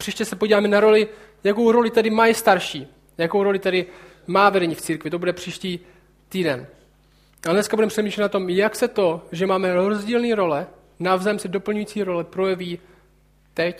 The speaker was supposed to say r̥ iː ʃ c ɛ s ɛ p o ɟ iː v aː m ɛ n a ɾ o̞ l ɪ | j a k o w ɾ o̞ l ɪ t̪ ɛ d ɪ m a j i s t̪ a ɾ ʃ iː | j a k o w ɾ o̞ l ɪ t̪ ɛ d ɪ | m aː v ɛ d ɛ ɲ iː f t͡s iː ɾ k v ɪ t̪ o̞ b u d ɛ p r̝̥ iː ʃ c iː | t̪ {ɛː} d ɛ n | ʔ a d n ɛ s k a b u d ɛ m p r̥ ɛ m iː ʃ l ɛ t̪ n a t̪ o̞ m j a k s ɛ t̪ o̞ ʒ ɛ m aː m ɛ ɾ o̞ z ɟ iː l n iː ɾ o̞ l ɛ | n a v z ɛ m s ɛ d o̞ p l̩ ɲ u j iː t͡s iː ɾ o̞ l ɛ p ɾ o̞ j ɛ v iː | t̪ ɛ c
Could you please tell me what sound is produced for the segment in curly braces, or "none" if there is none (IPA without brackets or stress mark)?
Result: iː